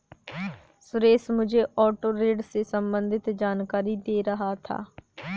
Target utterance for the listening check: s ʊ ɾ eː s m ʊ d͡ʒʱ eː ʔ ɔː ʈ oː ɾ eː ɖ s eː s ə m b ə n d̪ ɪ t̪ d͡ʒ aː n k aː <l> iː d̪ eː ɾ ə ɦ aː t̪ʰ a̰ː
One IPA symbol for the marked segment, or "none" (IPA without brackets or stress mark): ɾ